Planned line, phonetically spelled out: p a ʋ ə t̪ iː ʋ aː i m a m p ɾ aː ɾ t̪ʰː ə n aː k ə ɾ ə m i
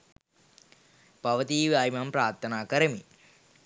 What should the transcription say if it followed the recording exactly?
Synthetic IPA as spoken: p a ʋ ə t̪ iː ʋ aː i m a m p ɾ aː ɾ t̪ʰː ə n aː k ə ɾ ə m i